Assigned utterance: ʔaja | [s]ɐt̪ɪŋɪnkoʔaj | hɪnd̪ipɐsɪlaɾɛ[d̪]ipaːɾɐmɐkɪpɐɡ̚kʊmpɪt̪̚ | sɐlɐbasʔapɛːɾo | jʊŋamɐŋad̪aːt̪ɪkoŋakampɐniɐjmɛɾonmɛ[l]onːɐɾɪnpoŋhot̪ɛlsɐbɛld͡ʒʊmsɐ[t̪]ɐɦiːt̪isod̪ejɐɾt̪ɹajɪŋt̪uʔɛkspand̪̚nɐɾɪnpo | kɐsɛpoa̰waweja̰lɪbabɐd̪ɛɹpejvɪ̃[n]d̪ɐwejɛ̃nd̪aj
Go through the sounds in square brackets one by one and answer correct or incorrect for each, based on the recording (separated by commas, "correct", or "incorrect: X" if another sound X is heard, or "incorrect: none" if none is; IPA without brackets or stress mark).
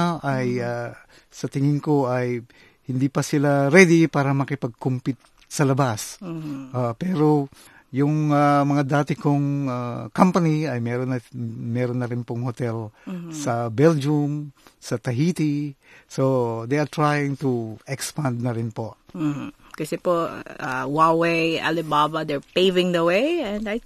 correct, correct, incorrect: ɾ, correct, incorrect: ŋ